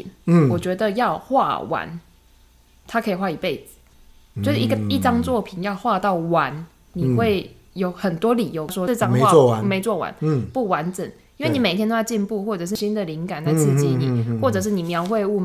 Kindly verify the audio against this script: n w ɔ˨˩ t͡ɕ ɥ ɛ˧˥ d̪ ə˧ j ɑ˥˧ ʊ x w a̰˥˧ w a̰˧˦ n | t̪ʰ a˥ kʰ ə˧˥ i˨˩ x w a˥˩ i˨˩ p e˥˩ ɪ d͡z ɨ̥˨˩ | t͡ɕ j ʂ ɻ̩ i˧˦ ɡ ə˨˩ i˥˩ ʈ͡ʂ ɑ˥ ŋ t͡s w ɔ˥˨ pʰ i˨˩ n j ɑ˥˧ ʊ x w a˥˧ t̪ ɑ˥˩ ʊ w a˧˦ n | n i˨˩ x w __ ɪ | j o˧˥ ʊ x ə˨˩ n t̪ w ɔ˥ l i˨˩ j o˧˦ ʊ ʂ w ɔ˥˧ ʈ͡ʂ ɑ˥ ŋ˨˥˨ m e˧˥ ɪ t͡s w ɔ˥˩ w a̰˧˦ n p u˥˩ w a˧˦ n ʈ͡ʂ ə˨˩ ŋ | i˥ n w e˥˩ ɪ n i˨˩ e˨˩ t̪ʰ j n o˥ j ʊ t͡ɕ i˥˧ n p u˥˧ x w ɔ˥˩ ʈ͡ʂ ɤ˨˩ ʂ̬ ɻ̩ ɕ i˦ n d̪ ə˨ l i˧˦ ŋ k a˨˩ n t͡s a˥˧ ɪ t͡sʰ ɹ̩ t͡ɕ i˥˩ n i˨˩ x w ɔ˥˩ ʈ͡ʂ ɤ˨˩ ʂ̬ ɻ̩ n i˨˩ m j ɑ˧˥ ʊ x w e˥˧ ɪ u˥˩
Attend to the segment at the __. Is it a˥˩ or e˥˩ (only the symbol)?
e˥˩